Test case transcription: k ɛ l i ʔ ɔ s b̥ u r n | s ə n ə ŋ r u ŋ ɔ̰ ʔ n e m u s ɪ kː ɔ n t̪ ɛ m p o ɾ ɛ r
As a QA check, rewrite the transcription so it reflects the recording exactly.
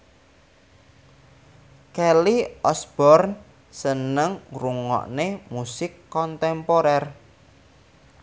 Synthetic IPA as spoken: k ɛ l i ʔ ɔ s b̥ ɔ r n | s ə n ə ŋ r u ŋ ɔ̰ ʔ n e m u s ɪ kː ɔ n t̪ ɛ m p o ɾ ɛ r

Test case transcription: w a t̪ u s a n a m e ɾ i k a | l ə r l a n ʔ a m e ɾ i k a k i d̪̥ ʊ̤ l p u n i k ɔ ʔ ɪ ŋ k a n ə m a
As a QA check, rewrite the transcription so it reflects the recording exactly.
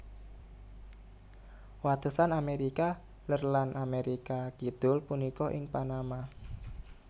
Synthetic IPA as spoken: w a t̪ u s a n a m e ɾ i k a | l ə r l a n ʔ a m e ɾ i k a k i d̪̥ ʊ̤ l p u n i k ɔ ʔ ɪ ŋ p a n a m a

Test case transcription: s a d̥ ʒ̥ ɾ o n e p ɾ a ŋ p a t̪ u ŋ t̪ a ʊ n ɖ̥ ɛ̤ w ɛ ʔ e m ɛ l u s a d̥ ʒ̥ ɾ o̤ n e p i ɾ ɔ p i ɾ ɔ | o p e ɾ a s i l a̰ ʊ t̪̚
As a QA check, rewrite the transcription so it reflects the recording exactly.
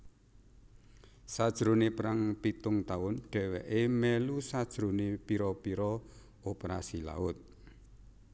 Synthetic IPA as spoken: s a d̥ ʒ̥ ɾ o n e p ɾ a ŋ p i t̪ ʊ ŋ t̪ a ʊ n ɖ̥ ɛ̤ w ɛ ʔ e m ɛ l u s a d̥ ʒ̥ ɾ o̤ n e p i ɾ ɔ p i ɾ ɔ | o p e ɾ a s i l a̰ ʊ t̪̚

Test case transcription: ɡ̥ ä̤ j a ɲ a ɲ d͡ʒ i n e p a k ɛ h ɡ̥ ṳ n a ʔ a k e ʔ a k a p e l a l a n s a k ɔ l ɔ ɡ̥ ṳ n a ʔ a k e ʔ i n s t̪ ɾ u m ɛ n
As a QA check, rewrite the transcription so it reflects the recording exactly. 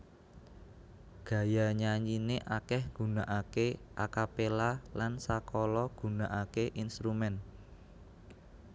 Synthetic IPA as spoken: ɡ̥ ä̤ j a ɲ a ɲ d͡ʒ i n e ʔ a k ɛ h ɡ̥ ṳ n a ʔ a k e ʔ a k a p e l a l a n s a k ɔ l ɔ ɡ̥ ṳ n a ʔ a k e ʔ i n s t̪ ɾ u m ɛ n

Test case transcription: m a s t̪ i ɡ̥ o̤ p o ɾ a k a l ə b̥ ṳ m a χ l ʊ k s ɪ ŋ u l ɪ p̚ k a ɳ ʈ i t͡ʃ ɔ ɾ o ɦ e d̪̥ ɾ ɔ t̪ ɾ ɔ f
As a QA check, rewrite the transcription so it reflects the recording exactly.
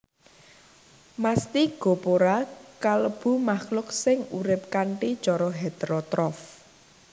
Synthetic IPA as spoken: m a s t̪ i ɡ̥ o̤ p o ɾ a k a l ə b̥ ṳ m a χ l ʊ k s ɪ ŋ u ɾ ɪ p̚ k a ɳ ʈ i t͡ʃ ɔ ɾ ɔ ɦ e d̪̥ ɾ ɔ t̪ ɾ ɔ f

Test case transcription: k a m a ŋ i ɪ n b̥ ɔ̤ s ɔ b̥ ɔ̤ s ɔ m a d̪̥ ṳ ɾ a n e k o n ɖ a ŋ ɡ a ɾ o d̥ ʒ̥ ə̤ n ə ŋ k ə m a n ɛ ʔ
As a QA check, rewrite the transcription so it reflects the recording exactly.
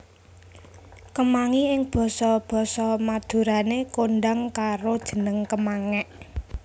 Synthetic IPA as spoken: k ə m a ŋ i ɪ ŋ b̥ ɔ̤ s ɔ b̥ ɔ̤ s ɔ m a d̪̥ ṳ ɾ a n e k o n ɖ a ŋ k a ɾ o d̥ ʒ̥ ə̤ n ə ŋ k ə m a ŋ ɛ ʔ

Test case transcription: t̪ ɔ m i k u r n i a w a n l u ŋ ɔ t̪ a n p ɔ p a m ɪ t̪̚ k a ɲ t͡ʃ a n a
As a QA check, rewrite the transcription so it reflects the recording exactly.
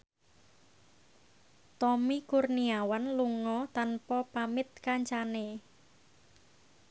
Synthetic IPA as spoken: t̪ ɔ m i k u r n i a w a n l u ŋ ɔ t̪ a n p ɔ p a m ɪ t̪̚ k a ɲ t͡ʃ a n e

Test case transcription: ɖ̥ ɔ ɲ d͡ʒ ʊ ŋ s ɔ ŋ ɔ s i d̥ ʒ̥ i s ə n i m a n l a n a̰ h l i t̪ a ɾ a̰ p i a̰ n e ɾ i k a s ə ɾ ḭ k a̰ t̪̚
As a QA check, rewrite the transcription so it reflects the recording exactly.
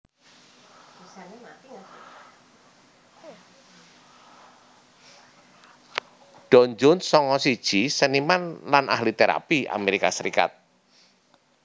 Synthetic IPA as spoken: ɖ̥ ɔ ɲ d͡ʒ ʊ n s ɔ ŋ ɔ s i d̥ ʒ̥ i s ə n i m a n l a n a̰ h l i t̪ e ɾ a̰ p i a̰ m e ɾ i k a s ə ɾ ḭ k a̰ t̪̚

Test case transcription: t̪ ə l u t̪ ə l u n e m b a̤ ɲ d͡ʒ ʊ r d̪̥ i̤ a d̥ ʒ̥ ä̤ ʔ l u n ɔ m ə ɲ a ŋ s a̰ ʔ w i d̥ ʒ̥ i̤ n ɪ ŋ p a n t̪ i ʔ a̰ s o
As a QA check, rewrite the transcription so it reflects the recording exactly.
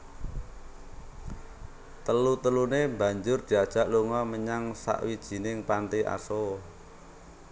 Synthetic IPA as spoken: t̪ ə l u t̪ ə l u n e m b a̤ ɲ d͡ʒ ʊ r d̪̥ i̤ a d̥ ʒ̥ ä̤ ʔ l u ŋ ɔ m ə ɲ a ŋ s a̰ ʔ w i d̥ ʒ̥ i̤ n ɪ ŋ p a n t̪ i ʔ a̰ s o

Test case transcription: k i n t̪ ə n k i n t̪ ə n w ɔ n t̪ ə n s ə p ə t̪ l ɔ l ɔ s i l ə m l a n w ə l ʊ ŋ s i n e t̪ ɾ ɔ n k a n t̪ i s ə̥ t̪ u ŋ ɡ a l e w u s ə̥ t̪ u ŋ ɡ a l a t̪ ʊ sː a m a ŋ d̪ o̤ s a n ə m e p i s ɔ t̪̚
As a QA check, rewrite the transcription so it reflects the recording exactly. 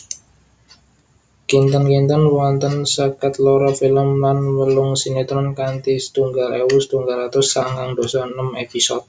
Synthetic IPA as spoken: k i n t̪ ə n k i n t̪ ə n w ɔ n t̪ ə n s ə k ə t̪ l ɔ ɾ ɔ f i l ə m l a n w ə l ʊ ŋ s i n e t̪ ɾ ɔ n k a n t̪ i s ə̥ t̪ u ŋ ɡ a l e w u s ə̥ t̪ u ŋ ɡ a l a t̪ ʊ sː a ŋ a ŋ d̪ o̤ s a n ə m e p i s ɔ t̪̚

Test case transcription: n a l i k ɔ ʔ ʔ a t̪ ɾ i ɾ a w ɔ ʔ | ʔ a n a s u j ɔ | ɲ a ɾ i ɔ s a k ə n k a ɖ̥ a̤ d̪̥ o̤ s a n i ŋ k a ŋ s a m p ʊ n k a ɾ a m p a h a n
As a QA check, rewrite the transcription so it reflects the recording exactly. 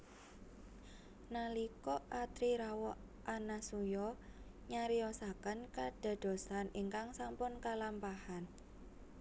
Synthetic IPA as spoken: n a l i k ɔ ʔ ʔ a t̪ ɾ i ɾ a w ɔ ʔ | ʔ a n a s u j ɔ | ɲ a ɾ i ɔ s a k ə n k a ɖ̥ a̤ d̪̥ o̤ s a n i ŋ k a ŋ s a m p ʊ n k a l a m p a h a n

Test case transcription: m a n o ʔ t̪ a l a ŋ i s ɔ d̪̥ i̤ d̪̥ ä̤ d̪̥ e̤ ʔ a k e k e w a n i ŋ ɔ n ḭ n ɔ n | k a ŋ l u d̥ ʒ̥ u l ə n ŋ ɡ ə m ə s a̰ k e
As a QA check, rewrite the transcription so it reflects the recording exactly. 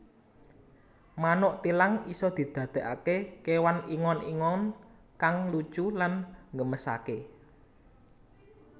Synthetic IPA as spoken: m a n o ʔ t̪ i l a ŋ i s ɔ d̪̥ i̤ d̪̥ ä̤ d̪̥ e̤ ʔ a k e k e w a n i ŋ ɔ n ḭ ŋ ɔ n | k a ŋ l u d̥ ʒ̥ u l a n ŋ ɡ ə m ə s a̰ k e

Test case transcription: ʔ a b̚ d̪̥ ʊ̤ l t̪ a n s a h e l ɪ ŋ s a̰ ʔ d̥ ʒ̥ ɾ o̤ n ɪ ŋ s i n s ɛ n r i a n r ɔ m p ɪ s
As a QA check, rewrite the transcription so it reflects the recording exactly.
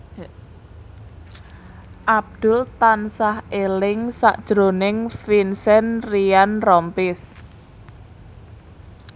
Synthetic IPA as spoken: ʔ a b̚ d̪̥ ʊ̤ l t̪ a n s a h e l ɪ ŋ s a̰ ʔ d̥ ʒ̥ ɾ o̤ n ɪ ŋ f i n s ɛ n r i a n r ɔ m p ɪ s

